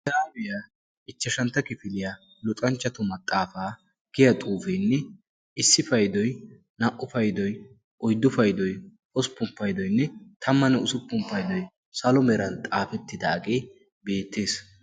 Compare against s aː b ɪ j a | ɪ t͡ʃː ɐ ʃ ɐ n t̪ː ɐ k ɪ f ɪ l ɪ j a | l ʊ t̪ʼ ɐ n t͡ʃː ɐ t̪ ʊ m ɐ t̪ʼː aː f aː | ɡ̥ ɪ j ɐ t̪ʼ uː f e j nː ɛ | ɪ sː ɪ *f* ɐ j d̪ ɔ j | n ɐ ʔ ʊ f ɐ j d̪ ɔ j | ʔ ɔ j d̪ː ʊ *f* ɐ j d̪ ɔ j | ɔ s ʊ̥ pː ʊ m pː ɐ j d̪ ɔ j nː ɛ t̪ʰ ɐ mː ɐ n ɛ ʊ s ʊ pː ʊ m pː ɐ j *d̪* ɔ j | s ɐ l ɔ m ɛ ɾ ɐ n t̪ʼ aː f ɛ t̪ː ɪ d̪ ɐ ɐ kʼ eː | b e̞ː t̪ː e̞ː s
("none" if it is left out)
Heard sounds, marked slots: f, f, d̪

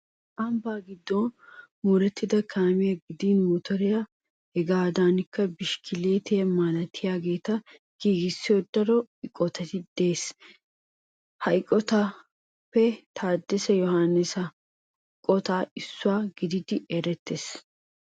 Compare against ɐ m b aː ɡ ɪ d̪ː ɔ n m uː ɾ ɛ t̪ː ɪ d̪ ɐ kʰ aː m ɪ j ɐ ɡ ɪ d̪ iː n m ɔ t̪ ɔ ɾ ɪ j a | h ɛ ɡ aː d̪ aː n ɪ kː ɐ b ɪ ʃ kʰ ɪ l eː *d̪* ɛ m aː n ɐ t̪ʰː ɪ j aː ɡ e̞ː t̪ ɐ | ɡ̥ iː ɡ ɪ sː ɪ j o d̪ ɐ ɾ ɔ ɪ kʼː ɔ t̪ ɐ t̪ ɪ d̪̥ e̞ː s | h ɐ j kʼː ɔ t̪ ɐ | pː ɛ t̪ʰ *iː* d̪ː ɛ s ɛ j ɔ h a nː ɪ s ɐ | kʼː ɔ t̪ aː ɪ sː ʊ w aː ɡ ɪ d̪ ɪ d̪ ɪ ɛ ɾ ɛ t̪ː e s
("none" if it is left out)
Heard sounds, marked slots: t̪, aː

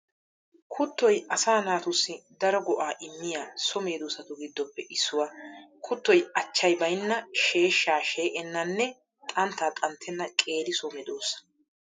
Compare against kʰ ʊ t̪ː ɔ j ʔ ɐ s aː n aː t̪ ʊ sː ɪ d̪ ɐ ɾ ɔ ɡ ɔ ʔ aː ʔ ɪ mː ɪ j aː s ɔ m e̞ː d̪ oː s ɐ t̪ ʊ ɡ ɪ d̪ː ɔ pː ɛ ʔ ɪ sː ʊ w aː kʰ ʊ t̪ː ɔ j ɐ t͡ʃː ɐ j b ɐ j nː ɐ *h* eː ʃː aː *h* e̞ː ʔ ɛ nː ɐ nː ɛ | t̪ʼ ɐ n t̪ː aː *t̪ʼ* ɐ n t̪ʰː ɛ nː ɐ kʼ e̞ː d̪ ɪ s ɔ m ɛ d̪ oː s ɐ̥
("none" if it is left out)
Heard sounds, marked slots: ʃ, ʃ, t̪ʼ

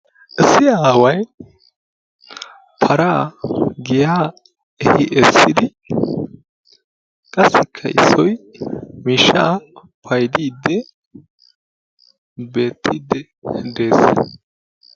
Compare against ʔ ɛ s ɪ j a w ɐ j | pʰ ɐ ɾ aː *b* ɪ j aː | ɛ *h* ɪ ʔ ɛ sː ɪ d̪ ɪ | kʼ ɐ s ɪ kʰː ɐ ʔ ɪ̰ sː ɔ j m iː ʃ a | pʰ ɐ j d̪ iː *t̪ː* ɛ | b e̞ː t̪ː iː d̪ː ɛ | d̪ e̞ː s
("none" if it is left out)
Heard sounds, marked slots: ɡ, h, d̪ː

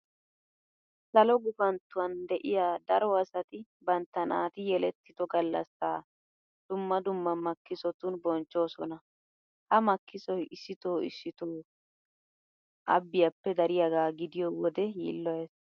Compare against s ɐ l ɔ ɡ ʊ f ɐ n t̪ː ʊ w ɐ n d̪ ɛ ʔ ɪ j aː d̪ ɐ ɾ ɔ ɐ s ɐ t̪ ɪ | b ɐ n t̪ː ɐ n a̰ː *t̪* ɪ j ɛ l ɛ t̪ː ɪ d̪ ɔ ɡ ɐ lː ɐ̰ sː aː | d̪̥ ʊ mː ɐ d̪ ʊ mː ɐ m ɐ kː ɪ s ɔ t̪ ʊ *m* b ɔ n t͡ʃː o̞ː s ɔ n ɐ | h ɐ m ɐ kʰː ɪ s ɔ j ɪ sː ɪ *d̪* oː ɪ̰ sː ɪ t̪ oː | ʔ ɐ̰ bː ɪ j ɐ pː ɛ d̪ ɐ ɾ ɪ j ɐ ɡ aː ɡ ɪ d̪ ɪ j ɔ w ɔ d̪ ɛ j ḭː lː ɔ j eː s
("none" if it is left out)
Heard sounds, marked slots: t̪, n, t̪

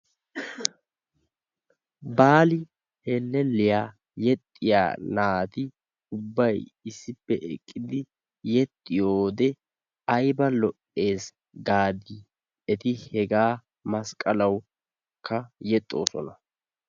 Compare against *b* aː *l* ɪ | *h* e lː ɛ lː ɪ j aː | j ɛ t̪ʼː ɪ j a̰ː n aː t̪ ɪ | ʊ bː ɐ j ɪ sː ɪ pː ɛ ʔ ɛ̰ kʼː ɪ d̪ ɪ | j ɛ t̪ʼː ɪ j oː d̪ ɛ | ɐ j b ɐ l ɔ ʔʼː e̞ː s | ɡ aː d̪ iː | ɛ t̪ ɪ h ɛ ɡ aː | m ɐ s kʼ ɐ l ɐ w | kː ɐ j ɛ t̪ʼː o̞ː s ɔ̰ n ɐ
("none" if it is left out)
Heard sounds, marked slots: b, l, h

